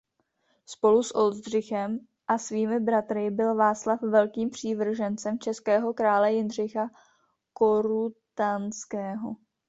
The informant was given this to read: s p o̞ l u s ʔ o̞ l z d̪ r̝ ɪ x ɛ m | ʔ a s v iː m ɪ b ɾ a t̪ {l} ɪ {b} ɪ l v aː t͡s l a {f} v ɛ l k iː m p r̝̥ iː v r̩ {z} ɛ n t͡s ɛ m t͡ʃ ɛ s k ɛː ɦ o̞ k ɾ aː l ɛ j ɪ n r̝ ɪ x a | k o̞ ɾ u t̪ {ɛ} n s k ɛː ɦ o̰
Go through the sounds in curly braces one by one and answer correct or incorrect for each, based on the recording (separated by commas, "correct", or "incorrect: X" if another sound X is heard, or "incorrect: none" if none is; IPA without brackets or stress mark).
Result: incorrect: ɾ, correct, correct, incorrect: ʒ, incorrect: a